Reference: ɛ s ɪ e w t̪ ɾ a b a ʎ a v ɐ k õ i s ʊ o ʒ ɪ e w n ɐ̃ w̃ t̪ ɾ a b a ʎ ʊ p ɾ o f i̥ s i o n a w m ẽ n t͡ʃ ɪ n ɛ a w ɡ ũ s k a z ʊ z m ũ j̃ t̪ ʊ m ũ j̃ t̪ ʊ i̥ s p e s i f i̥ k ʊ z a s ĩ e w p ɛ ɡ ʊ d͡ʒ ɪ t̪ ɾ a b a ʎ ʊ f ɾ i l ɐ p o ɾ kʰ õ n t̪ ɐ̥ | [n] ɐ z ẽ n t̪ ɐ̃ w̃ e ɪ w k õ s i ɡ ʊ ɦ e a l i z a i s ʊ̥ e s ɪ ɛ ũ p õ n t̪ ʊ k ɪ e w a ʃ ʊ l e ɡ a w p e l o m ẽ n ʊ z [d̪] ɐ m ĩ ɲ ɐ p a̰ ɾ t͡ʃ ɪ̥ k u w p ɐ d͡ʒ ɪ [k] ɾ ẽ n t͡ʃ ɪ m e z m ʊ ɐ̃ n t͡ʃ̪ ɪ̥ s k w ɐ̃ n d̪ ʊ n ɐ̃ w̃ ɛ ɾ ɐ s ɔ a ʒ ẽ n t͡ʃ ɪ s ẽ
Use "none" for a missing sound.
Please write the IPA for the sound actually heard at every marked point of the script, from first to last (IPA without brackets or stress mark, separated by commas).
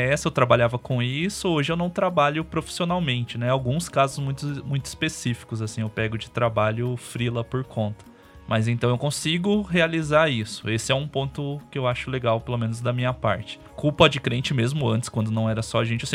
m, d̪, k